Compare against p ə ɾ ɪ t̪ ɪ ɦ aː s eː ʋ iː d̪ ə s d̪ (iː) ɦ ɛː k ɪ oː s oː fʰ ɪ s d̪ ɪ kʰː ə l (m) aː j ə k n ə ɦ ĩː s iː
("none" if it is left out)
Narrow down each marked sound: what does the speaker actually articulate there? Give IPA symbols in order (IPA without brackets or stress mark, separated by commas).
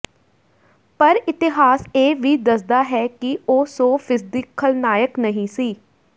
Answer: aː, n